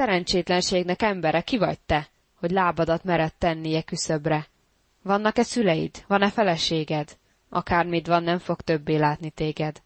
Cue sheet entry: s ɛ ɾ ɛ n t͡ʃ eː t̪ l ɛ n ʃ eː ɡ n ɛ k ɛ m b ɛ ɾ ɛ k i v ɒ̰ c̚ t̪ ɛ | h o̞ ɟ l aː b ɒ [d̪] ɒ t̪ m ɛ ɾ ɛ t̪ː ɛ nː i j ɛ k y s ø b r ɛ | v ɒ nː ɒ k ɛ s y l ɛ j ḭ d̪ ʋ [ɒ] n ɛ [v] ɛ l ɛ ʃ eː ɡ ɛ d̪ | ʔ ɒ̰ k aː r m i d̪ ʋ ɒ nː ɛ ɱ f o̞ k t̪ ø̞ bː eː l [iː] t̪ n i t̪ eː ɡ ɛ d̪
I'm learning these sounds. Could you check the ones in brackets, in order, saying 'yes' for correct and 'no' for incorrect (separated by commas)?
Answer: yes, yes, no, no